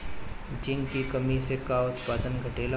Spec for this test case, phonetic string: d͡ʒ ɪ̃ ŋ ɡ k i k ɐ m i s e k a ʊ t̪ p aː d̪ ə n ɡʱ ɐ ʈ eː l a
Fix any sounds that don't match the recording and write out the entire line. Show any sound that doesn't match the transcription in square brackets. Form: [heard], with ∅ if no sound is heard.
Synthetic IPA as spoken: d͡ʒ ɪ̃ ŋ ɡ k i k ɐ m i s e k a ʊ t̪ p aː d̪ ə n ɡʱ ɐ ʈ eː l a

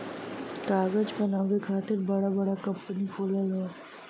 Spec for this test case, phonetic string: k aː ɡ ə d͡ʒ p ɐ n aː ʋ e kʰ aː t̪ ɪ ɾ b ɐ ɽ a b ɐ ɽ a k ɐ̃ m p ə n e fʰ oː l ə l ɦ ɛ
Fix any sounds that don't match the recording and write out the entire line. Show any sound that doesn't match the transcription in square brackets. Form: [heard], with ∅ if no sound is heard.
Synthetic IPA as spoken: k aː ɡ ə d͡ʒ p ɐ n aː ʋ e kʰ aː t̪ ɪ ɾ b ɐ ɽ a b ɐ ɽ a k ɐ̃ m p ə n [i] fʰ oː l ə l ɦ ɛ

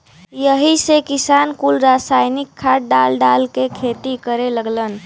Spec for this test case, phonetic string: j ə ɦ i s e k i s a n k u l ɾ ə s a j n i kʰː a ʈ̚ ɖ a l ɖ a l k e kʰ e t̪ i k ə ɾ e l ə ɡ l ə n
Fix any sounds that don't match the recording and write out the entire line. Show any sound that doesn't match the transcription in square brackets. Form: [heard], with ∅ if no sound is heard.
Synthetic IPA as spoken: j ə ɦ i s e k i s a n k u l ɾ [a] s a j n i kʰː a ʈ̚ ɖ a l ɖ a l k e kʰ e t̪ i k ə ɾ e l ə ɡ l ə n

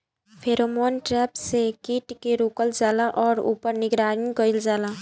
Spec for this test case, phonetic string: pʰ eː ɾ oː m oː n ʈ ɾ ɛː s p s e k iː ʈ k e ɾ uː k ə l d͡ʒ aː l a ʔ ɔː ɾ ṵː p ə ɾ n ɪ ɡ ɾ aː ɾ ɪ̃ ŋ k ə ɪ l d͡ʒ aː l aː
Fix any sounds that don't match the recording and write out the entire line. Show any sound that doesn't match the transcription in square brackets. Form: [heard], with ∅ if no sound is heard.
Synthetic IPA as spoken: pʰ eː ɾ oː m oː n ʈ ɾ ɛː [∅] p s e k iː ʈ k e ɾ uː k ə l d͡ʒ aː l a ʔ ɔː ɾ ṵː p ə ɾ n ɪ ɡ ɾ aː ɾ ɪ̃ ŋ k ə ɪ l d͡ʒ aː l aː

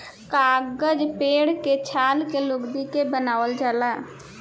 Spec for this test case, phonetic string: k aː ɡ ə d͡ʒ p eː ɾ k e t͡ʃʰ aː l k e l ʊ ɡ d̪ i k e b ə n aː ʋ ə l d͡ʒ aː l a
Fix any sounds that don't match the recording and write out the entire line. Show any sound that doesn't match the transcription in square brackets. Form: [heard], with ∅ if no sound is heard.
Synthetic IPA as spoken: k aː ɡ ə d͡ʒ p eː [ɽ] k e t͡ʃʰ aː l k e l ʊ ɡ d̪ i k e b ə n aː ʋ ə l d͡ʒ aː l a

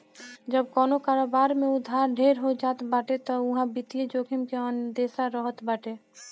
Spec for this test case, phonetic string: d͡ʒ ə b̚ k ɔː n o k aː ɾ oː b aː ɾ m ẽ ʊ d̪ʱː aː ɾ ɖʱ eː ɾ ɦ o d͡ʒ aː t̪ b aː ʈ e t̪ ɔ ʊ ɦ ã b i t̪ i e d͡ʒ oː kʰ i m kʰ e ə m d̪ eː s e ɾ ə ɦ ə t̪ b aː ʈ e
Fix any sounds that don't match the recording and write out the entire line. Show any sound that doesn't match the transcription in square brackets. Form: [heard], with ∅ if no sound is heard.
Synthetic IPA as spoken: d͡ʒ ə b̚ k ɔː n o k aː ɾ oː b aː ɾ m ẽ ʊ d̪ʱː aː ɾ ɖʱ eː ɾ ɦ o d͡ʒ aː t̪ b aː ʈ e t̪ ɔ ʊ ɦ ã b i t̪ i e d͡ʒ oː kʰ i m [k] e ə [n] d̪ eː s [a] ɾ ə ɦ ə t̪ b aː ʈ e

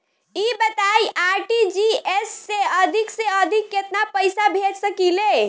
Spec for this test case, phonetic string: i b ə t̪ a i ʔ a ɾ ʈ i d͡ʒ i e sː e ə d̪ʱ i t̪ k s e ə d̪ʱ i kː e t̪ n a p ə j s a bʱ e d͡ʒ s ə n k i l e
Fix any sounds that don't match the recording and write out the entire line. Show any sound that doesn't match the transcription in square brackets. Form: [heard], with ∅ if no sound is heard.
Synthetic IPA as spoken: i b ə t̪ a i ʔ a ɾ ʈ i d͡ʒ i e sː e ə d̪ʱ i [∅] k s e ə d̪ʱ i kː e t̪ n a p ə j s a bʱ e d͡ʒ s ə [∅] k i l e

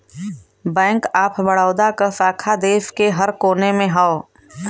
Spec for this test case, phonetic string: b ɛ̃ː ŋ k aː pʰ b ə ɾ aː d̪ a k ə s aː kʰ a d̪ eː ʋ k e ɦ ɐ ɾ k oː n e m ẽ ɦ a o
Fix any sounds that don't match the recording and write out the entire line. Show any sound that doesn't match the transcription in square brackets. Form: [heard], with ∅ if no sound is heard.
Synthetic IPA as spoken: b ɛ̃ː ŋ k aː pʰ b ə [ɽ] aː d̪ a k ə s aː kʰ a d̪ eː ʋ k e ɦ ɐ ɾ k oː n e m ẽ ɦ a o

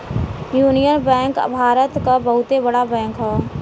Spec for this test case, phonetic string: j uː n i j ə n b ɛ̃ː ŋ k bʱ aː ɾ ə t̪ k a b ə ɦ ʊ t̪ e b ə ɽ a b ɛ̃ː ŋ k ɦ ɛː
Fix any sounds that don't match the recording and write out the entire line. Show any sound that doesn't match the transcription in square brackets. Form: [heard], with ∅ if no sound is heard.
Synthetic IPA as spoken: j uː n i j ə n b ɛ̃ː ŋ k bʱ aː ɾ ə t̪ k a b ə ɦ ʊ t̪ e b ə ɽ a b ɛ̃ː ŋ k ɦ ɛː

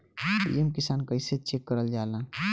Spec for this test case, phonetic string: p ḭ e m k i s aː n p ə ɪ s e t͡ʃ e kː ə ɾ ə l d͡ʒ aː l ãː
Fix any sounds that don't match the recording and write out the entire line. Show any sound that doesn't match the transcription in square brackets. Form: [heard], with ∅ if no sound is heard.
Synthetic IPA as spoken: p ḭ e m k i s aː n [k] ə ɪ s e t͡ʃ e kː ə ɾ ə l d͡ʒ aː l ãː

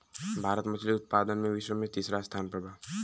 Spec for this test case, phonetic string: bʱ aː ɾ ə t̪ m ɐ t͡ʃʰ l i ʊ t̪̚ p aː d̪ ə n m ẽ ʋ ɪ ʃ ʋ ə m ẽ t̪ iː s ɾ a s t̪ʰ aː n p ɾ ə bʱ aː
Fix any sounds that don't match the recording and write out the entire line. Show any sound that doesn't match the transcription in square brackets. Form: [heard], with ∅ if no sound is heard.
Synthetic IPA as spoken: bʱ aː ɾ ə t̪ m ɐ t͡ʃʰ l i ʊ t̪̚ p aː d̪ ə n m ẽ ʋ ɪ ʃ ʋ ə m ẽ t̪ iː s ɾ a s t̪ʰ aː n p ɾ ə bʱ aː

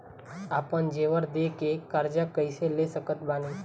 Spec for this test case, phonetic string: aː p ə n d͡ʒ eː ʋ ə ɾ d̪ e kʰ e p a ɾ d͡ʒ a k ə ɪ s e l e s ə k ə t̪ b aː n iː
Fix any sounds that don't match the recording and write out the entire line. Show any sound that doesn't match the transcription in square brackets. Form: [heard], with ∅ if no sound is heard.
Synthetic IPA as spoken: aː p ə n d͡ʒ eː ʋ ə ɾ d̪ e [k] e [k] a ɾ d͡ʒ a k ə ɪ s e l e s ə k ə t̪ b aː n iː

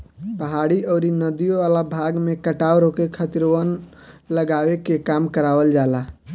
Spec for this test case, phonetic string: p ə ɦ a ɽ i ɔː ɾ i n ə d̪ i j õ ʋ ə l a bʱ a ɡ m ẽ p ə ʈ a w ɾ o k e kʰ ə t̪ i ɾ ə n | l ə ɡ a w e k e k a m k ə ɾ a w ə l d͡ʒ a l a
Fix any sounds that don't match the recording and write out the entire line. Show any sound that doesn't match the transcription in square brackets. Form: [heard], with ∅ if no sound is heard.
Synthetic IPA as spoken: p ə ɦ a ɽ i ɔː ɾ i n ə d̪ i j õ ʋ [a] l a bʱ a ɡ m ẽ [k] ə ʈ a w ɾ o k e kʰ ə t̪ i ɾ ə n | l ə ɡ a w e k e k a m k ə ɾ a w ə l d͡ʒ a l a

